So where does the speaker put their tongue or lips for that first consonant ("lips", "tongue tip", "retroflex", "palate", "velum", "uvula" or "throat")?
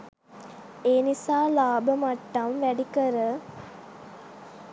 tongue tip